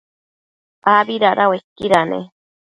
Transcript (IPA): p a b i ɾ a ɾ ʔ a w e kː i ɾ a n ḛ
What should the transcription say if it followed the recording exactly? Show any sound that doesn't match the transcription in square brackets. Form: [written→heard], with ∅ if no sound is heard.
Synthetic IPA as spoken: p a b i ɾ a ɾ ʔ a w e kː i ɾ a n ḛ